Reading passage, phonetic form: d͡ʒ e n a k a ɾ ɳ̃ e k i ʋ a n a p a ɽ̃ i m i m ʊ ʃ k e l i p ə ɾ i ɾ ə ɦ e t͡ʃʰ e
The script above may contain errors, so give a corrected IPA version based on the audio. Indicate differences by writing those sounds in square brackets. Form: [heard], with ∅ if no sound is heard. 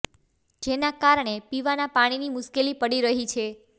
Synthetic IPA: d͡ʒ e n a k a ɾ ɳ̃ e [p] i ʋ a n a p a ɽ̃ i [n] i m ʊ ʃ k e l i p ə [ɽ] i ɾ ə ɦ [i] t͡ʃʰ e